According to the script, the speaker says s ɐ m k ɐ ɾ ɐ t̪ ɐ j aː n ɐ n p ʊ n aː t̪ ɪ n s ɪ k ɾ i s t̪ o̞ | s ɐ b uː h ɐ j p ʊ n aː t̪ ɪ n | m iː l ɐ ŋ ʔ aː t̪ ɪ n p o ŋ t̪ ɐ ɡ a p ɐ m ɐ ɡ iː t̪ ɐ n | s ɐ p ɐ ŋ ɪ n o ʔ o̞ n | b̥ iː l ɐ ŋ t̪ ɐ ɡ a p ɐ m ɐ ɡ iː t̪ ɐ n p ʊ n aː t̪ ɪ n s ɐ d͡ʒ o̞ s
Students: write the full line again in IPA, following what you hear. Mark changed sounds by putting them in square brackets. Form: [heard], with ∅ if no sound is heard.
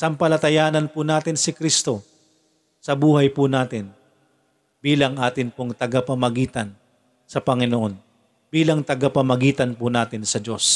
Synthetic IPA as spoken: s ɐ m [p] ɐ [l] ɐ t̪ ɐ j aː n ɐ n p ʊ n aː t̪ ɪ n s ɪ k ɾ i s t̪ o̞ | s ɐ b uː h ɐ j p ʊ n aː t̪ ɪ n | [b] iː l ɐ ŋ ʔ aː t̪ ɪ n p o ŋ t̪ ɐ ɡ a p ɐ m ɐ ɡ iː t̪ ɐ n | s ɐ p ɐ ŋ ɪ n o ʔ o̞ n | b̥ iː l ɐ ŋ t̪ ɐ ɡ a p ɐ m ɐ ɡ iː t̪ ɐ n p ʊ n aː t̪ ɪ n s ɐ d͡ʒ o̞ s